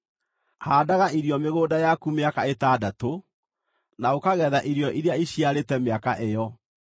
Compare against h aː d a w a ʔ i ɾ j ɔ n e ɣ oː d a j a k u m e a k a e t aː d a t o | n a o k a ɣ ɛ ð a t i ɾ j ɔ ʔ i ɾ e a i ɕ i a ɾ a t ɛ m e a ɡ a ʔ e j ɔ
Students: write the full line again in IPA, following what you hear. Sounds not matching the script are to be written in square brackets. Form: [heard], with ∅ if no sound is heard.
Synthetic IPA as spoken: h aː d a [ɣ] a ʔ i ɾ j ɔ [m] e ɣ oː d a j a k u m e a k a e t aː d a t o | n a o k a ɣ ɛ ð a [ʔ] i ɾ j ɔ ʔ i ɾ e a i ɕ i a ɾ [e] t ɛ m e a [k] a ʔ e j ɔ